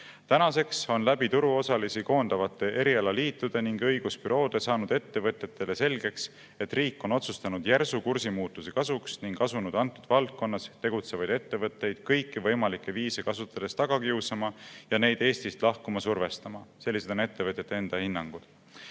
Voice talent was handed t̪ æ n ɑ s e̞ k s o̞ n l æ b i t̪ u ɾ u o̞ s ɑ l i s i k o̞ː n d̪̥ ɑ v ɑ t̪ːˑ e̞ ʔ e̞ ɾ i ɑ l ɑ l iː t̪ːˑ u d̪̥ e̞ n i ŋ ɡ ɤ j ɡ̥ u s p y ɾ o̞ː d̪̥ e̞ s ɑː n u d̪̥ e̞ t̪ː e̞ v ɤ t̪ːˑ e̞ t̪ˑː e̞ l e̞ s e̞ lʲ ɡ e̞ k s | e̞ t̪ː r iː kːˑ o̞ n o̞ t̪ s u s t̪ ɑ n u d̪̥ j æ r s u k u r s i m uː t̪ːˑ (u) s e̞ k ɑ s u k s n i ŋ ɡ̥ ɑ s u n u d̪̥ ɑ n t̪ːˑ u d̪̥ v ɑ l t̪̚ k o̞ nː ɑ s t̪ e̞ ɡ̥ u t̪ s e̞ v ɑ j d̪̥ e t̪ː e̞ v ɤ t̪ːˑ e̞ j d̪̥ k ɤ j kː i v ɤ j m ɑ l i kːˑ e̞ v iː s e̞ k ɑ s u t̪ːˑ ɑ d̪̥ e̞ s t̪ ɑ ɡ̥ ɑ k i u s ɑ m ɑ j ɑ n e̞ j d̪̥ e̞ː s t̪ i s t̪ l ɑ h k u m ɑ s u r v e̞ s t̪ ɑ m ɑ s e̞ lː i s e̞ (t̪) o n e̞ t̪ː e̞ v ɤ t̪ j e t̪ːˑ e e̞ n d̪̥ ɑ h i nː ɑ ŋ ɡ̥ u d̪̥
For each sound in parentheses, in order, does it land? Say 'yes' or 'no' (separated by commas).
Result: yes, no